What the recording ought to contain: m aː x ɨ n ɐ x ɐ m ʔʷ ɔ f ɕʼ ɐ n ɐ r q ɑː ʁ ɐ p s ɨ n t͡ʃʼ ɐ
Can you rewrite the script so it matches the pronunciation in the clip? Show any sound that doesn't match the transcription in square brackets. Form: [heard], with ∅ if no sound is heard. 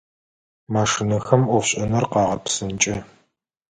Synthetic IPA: m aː [ʂ] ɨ n ɐ x ɐ m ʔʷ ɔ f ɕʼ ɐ n ɐ r q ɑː ʁ ɐ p s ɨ n t͡ʃʼ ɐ